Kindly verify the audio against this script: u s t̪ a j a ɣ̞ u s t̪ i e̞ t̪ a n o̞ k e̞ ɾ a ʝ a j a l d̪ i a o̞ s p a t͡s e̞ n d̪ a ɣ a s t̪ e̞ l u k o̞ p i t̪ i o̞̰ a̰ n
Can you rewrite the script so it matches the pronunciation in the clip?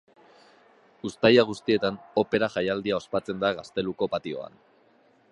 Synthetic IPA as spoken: u s t̪ a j a ɣ̞ u s t̪ i e̞ t̪ a n o̞ p e̞ ɾ a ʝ a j a l d̪ i a o̞ s p a t͡s e̞ n d̪ a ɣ a s t̪ e̞ l u k o̞ p a t̪ i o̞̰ a̰ n